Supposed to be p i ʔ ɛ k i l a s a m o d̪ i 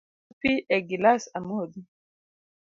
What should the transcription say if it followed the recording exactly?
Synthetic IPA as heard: p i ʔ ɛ ɡ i l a s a m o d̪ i